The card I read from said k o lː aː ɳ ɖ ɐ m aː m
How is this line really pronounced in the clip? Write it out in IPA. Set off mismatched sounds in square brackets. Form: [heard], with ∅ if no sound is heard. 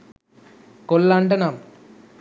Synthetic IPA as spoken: k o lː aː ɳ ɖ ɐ [n] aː m